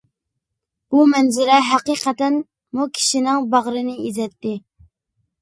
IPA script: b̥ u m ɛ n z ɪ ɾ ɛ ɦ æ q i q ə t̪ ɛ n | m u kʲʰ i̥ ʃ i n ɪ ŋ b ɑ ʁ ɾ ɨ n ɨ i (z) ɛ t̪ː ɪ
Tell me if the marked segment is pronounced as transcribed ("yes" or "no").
yes